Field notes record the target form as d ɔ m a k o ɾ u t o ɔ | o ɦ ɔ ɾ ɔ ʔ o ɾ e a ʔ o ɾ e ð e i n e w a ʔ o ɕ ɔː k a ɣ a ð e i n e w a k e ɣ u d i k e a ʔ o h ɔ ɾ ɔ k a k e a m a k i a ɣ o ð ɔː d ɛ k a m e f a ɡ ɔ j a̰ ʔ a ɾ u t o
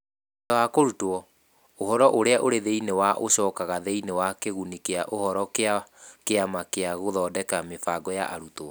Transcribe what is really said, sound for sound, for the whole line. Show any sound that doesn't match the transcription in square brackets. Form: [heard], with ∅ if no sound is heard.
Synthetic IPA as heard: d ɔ [∅] a k o ɾ u t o ɔ | o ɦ ɔ ɾ ɔ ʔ o ɾ e a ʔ o ɾ e ð e i n e w a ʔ o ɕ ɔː k a ɣ a ð e i n e w a k e ɣ u [n] i k e a ʔ o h ɔ ɾ ɔ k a k e a m a k [e] a ɣ o ð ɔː d ɛ k a m e f a ɡ ɔ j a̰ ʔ a ɾ u t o